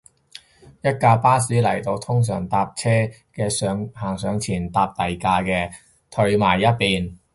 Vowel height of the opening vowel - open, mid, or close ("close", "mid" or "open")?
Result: open